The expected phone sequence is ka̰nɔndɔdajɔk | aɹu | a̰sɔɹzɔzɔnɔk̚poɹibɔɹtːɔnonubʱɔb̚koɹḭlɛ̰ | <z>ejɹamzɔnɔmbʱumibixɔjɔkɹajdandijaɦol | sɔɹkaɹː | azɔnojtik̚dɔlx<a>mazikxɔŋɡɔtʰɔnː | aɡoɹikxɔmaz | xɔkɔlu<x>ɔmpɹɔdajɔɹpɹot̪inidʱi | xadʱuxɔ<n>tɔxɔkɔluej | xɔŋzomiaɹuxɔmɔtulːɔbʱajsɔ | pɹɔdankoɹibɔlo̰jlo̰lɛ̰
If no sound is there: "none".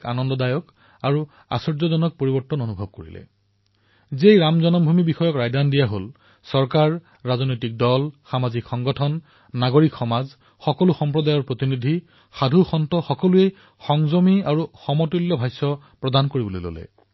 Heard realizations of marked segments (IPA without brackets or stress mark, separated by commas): z, a, x, n